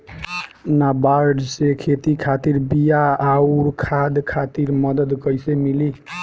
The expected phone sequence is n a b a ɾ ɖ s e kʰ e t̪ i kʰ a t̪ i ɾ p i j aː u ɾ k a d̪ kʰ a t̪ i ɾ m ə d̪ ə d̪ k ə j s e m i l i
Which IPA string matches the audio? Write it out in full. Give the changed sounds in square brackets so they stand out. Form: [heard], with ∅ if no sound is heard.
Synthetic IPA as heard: n a b a ɾ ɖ s e kʰ e t̪ i kʰ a t̪ i ɾ [b] i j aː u ɾ [kʰ] a d̪ kʰ a t̪ i ɾ m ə d̪ ə d̪ k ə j s e m i l i